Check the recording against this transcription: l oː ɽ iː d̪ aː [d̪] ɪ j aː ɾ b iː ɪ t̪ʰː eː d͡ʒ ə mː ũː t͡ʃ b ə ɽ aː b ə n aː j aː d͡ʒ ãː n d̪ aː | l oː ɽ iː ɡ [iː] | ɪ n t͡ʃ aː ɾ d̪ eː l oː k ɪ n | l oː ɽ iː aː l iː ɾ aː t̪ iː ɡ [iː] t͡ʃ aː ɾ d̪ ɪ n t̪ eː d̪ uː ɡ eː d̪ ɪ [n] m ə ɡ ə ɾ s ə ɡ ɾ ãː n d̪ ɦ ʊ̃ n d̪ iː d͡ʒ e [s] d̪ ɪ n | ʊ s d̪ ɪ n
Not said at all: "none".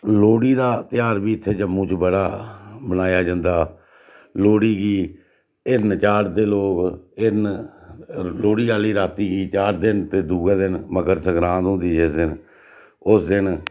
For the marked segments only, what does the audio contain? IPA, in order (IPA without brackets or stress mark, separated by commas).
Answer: t̪, iː, iː, n, s